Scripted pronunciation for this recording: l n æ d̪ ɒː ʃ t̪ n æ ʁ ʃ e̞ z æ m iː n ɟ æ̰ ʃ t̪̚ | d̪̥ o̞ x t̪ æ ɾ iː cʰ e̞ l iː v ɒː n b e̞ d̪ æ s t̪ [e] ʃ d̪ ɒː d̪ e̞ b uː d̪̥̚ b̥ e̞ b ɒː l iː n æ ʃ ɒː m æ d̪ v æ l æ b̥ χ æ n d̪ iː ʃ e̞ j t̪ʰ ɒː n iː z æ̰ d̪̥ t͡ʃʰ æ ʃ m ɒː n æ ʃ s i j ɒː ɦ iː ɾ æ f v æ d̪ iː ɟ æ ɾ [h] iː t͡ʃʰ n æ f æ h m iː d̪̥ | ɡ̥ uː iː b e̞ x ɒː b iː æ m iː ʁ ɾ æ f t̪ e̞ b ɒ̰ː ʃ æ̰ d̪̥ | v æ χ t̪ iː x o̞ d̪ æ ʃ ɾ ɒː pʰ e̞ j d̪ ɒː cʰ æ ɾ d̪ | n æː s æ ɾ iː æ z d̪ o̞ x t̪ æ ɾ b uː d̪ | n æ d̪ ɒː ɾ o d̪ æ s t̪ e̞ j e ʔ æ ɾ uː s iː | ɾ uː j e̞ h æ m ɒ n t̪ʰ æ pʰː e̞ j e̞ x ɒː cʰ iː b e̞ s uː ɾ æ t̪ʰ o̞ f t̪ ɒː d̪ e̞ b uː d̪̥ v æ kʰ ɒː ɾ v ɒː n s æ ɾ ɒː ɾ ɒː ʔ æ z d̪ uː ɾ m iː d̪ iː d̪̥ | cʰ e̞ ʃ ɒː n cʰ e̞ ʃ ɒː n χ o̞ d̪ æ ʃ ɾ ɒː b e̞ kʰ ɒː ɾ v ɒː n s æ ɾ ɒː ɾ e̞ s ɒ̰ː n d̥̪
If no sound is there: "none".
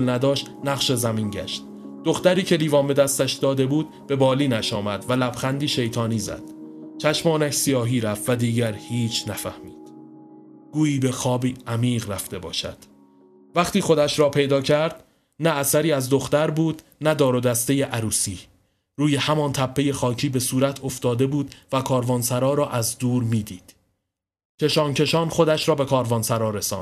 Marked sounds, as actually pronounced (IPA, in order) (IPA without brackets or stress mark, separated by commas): æ, h